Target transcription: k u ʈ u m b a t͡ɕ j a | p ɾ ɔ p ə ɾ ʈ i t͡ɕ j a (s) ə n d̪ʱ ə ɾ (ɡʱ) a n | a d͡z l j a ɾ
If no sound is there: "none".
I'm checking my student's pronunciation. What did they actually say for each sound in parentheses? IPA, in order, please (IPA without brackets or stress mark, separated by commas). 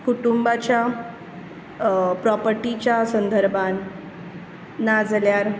s, bʱ